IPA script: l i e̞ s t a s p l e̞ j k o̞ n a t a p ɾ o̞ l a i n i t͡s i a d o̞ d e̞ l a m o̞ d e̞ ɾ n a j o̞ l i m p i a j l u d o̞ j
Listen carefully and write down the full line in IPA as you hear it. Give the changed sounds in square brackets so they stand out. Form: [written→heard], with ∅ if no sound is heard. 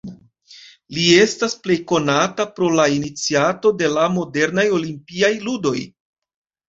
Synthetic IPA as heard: l i e̞ s t a s p l e̞ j k o̞ n a t a p ɾ o̞ l a i n i t͡s i a [d→t] o̞ d e̞ l a m o̞ d e̞ ɾ n a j o̞ l i m p i a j l u d o̞ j